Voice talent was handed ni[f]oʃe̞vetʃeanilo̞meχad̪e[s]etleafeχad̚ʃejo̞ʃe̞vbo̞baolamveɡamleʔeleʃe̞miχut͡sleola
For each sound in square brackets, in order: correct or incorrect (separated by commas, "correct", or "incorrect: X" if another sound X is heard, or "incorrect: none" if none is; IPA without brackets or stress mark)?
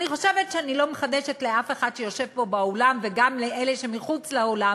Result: incorrect: χ, incorrect: ʃ